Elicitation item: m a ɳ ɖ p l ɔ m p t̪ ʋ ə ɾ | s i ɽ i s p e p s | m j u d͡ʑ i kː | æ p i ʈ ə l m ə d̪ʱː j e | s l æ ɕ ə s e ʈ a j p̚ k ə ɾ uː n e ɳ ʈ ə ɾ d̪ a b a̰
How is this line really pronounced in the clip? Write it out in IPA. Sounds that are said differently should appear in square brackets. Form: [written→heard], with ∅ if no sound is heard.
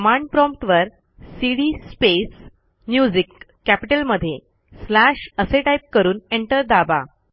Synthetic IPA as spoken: m a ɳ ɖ p [l→ɾ] ɔ m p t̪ ʋ ə ɾ | s i ɽ i s p e [p→∅] s | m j u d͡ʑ i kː | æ p i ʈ ə l m ə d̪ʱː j e | s l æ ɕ ə s e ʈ a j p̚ k ə ɾ uː n e ɳ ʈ ə ɾ d̪ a b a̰